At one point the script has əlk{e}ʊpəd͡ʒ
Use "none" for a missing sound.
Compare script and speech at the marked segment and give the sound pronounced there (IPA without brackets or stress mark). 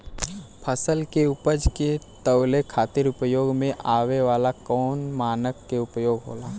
e